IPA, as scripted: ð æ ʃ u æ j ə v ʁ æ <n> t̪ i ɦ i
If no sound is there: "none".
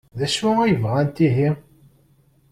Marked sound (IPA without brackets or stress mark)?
n